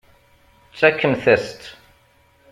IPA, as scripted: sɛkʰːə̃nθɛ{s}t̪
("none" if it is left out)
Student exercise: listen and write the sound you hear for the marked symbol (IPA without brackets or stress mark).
s